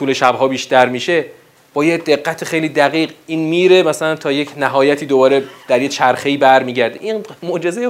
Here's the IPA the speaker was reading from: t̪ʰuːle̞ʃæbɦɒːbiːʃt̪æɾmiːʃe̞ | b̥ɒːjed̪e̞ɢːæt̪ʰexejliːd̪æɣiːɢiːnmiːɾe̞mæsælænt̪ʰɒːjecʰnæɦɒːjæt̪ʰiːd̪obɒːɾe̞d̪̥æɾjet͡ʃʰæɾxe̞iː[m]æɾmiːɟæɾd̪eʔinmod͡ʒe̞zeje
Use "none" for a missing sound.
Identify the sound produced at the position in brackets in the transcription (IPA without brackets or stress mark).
b